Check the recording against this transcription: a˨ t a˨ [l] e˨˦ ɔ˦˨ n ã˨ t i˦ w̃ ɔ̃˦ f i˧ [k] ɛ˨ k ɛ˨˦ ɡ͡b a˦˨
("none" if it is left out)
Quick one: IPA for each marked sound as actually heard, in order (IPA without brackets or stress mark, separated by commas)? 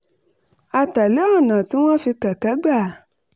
l, k